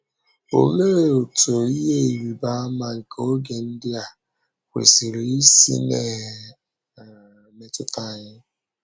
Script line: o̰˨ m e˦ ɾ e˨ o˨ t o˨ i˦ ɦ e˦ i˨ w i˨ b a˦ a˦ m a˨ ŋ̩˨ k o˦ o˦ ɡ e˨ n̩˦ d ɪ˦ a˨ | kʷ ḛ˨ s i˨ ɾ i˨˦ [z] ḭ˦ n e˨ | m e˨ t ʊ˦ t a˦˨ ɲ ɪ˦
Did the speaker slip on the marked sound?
yes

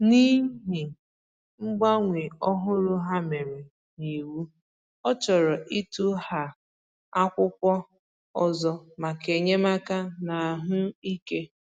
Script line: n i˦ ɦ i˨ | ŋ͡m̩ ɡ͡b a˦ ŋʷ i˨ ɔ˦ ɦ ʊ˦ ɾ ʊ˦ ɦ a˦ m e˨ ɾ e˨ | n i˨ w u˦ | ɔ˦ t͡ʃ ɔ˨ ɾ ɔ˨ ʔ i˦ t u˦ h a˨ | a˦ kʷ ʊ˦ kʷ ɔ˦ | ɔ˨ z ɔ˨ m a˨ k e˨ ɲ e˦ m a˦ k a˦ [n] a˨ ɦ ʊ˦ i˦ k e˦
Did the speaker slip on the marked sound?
no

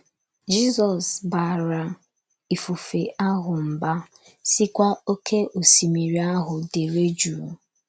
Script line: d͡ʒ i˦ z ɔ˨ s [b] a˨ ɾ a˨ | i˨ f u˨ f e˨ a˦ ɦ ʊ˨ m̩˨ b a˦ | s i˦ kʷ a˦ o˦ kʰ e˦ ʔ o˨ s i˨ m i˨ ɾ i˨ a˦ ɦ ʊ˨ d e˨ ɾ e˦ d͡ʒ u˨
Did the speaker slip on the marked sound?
no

